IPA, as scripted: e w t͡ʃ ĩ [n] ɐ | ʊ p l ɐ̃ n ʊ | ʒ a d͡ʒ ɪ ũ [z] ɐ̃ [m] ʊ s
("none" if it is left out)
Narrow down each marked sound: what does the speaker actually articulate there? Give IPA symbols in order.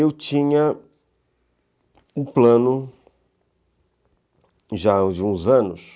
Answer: ɲ, z, n

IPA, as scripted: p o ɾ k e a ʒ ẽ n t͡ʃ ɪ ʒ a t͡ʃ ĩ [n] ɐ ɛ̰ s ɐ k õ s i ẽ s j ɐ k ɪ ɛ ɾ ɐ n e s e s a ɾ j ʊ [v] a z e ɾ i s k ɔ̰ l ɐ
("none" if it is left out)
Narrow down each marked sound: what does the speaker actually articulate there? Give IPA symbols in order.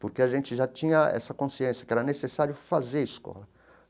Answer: ɲ, f

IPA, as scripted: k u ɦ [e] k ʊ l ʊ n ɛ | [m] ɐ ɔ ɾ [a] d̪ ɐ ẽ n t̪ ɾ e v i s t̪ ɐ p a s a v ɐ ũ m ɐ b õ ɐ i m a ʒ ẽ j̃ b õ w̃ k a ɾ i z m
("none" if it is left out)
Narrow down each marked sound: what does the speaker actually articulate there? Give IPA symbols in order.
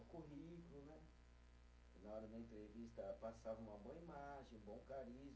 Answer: i, n, ɐ

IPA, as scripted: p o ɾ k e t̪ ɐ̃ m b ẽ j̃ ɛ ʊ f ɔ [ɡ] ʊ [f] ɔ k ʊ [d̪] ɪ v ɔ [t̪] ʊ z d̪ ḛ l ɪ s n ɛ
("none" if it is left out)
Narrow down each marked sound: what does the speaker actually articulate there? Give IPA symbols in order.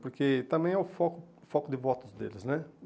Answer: k, f, d̪, t̪

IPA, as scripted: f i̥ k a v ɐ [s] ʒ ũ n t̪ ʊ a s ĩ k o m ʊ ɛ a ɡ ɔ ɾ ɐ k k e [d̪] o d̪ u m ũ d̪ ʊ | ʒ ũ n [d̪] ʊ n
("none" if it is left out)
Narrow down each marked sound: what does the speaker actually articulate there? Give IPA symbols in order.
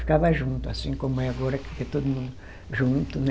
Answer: none, t̪, t̪

